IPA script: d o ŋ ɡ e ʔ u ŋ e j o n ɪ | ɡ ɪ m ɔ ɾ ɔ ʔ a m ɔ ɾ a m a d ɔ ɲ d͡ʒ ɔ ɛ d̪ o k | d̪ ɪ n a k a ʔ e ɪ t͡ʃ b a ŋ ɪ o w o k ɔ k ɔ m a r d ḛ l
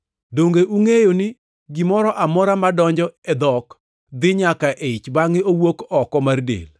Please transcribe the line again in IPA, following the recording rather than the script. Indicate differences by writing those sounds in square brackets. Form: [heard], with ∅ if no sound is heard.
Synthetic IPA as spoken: d o ŋ ɡ e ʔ u ŋ e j o n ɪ | ɡ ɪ m ɔ ɾ ɔ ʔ a m ɔ ɾ a m a d ɔ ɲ d͡ʒ ɔ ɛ d̪ [ɔ] k | d̪ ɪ [ɲ] a k a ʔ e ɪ t͡ʃ b a ŋ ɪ o w o k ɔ k ɔ m a r d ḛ l